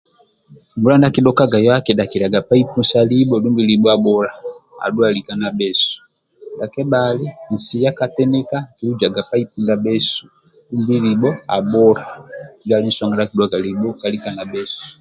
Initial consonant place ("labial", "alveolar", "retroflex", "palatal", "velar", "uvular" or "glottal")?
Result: labial